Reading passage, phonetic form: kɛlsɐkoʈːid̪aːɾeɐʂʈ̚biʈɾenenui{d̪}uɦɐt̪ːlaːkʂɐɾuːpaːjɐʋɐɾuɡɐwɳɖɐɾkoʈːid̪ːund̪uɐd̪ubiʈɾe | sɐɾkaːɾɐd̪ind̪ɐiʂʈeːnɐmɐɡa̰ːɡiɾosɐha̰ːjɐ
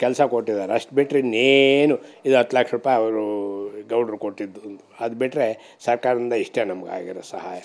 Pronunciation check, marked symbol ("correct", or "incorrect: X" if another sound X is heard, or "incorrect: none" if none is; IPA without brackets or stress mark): correct